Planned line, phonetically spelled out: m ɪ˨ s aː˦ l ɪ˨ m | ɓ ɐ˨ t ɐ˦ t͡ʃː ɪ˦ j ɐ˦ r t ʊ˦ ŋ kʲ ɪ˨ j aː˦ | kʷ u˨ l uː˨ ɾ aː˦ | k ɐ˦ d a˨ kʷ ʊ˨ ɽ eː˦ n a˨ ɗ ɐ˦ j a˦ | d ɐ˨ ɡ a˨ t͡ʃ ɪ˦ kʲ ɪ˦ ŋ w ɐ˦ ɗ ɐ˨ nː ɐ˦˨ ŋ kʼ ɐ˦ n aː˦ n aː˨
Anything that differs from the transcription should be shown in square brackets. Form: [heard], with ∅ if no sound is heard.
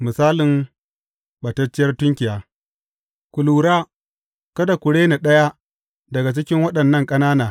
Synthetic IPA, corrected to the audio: m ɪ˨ s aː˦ l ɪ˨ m | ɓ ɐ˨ t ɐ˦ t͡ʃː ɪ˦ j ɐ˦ r t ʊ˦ ŋ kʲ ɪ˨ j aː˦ | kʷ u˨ l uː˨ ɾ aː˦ | k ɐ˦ d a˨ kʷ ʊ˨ ɽ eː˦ n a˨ ɗ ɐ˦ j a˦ | d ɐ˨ ɡ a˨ t͡ʃ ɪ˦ kʲ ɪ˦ ŋ w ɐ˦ ɗ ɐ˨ nː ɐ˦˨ ŋ kʼ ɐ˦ n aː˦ n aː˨